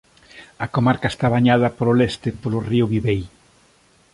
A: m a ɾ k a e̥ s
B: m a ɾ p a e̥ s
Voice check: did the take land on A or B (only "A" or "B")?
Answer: A